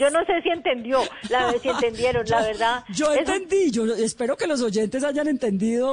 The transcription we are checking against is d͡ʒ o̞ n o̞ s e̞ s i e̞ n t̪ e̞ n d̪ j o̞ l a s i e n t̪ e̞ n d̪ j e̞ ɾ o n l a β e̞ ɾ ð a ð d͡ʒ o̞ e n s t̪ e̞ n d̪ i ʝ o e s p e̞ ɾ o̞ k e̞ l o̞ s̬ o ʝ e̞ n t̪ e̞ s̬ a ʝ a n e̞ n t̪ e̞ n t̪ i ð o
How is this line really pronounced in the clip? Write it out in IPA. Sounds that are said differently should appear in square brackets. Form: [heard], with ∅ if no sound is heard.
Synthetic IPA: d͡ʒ o̞ n o̞ s e̞ s i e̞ n t̪ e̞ n d̪ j o̞ l a s i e n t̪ e̞ n d̪ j e̞ ɾ o n l a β e̞ ɾ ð a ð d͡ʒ o̞ e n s t̪ e̞ n d̪ i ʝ o e s p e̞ ɾ o̞ k e̞ l o̞ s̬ o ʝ e̞ n t̪ e̞ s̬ a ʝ a n e̞ n t̪ e̞ n [d̪] i ð o